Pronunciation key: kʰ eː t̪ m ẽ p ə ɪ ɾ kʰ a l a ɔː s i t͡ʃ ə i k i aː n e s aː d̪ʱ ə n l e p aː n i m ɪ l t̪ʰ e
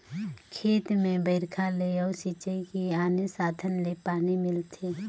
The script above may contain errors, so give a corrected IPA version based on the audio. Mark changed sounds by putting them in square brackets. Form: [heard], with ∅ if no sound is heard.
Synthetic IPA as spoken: kʰ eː t̪ m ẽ [b] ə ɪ ɾ kʰ a l [e] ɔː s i t͡ʃ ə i k i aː n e s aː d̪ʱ ə n l e p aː n i m ɪ l t̪ʰ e